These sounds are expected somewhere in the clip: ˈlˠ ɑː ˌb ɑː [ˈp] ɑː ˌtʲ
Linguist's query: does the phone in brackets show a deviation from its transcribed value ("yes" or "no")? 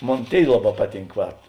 no